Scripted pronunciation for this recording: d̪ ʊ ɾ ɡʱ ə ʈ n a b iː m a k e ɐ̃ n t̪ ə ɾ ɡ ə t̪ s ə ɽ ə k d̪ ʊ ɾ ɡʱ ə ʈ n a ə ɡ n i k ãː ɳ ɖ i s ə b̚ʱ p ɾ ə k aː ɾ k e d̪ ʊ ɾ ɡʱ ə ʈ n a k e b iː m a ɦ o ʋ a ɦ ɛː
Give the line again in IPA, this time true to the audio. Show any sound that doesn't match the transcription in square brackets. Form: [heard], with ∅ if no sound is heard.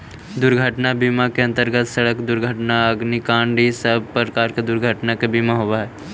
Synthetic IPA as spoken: d̪ ʊ ɾ ɡʱ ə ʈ n a b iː m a k e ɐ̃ n t̪ ə ɾ ɡ ə t̪ s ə ɽ ə k d̪ ʊ ɾ ɡʱ ə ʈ n a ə ɡ n i k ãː ɳ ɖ i s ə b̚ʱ p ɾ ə k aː ɾ k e d̪ ʊ ɾ ɡʱ ə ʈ n a k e b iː m a ɦ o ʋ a ɦ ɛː